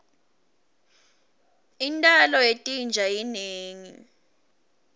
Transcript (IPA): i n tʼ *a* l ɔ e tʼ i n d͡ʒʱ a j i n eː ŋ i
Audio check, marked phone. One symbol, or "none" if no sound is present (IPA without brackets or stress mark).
a